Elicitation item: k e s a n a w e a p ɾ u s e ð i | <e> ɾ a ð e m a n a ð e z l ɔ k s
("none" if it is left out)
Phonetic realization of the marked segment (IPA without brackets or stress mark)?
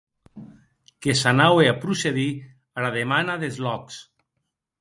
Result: a